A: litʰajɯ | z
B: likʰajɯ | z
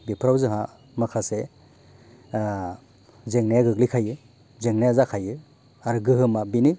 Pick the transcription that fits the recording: B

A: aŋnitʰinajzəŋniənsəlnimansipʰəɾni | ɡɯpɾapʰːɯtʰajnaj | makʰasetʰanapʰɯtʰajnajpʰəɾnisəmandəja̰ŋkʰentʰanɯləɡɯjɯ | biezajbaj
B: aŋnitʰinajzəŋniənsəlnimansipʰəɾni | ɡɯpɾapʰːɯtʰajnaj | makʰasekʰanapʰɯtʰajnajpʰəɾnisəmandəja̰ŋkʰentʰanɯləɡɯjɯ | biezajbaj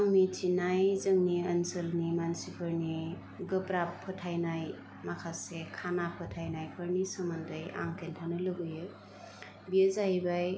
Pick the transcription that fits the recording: B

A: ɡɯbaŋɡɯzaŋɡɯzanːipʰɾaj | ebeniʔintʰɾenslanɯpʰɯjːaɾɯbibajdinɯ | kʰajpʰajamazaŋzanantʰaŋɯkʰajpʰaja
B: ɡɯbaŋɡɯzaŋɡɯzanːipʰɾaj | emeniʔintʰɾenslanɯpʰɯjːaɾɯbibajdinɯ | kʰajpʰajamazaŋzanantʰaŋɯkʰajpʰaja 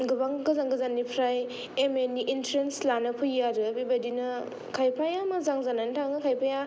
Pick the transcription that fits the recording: B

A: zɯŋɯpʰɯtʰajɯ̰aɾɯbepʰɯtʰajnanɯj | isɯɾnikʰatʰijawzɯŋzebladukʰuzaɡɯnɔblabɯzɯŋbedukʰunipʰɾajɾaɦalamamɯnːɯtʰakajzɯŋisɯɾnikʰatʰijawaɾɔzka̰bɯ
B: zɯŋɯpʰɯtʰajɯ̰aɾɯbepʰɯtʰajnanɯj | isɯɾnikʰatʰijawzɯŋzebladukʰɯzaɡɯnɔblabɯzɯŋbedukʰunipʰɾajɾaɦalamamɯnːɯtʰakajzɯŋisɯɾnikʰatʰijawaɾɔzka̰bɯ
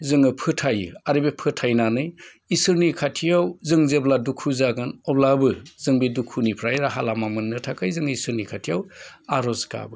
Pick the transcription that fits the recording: A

